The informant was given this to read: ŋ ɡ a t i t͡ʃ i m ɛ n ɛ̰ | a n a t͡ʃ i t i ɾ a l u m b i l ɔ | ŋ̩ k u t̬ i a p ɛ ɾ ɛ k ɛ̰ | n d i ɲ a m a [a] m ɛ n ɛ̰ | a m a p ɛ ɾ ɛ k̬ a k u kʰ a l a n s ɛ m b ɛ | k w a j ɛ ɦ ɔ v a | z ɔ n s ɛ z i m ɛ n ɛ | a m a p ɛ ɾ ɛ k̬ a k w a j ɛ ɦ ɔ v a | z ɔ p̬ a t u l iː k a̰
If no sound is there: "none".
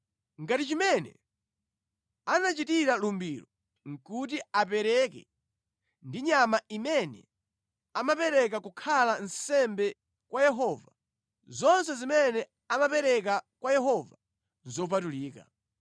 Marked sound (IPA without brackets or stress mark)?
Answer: i